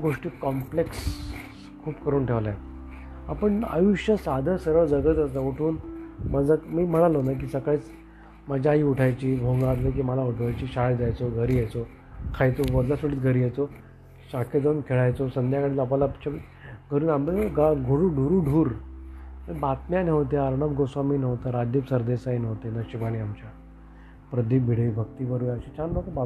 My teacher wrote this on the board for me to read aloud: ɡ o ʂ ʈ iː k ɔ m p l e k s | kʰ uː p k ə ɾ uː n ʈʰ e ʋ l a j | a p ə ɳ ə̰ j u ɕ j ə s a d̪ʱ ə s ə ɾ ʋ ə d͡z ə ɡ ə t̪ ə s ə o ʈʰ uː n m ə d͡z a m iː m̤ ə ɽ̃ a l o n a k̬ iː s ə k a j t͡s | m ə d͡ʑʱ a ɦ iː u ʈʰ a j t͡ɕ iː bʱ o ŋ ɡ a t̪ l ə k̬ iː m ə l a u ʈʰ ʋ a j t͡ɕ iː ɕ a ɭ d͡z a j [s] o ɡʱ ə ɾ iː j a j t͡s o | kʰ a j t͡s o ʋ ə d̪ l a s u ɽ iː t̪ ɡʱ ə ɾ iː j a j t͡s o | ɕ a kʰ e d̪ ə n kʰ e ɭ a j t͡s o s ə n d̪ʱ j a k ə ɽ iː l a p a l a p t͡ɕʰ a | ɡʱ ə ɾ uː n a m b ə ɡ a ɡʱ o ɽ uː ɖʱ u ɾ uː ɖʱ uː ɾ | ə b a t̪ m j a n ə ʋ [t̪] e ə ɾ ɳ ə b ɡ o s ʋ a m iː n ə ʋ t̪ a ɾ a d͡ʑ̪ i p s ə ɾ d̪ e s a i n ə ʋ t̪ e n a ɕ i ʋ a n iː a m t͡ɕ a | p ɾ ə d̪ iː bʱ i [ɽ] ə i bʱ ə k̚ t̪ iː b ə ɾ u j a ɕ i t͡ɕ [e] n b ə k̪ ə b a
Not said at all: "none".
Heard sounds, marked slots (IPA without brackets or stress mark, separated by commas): t͡s, t̪, ɽ, a